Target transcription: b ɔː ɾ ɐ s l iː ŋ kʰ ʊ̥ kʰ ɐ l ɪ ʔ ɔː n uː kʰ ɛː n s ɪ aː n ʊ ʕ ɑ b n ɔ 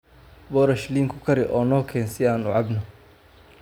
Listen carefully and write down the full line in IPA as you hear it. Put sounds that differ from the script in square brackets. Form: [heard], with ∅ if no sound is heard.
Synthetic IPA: b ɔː ɾ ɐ [ʃ] l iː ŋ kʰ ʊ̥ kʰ ɐ [ɾ] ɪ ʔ ɔː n [ɔː] kʰ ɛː n s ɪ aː n ʊ ʕ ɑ b n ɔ